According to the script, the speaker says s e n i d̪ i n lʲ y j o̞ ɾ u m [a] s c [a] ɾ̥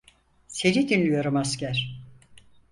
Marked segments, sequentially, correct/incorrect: correct, incorrect: æ

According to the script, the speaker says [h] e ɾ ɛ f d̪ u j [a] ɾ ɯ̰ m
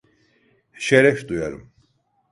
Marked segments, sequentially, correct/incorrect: incorrect: ʃ, correct

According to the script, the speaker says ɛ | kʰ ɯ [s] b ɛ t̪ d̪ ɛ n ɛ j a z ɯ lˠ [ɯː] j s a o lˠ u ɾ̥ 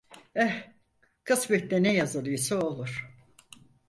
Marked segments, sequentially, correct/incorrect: correct, incorrect: ɯ

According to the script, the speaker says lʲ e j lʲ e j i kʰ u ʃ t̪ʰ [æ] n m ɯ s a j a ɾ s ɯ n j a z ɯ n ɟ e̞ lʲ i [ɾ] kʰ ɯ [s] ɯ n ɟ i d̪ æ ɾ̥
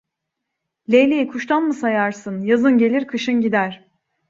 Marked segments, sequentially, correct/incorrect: incorrect: a, correct, incorrect: ʃ

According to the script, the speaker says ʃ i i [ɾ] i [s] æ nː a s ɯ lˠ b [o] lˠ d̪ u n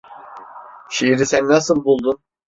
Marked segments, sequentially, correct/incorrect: correct, correct, incorrect: u

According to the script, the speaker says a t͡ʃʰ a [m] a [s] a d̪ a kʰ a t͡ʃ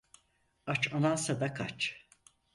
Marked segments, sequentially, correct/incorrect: incorrect: n, correct

